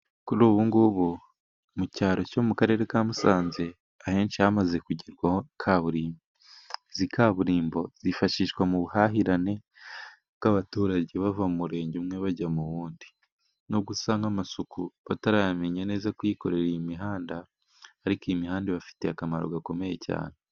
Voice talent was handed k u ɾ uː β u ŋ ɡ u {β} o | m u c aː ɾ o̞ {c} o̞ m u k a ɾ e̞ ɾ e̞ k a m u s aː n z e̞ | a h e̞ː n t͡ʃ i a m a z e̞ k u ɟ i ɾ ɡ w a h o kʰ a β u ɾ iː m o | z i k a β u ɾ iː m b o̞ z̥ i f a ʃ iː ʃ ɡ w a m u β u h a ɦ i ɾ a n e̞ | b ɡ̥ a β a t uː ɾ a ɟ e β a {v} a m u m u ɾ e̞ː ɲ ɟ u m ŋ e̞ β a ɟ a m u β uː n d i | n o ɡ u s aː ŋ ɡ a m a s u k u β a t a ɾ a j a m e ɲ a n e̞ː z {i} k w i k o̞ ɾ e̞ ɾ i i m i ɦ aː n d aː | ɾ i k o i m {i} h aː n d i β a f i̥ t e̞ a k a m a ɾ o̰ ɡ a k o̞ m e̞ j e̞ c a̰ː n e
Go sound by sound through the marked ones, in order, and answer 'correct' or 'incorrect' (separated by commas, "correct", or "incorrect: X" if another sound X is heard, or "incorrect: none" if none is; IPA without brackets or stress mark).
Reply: correct, correct, correct, incorrect: a, correct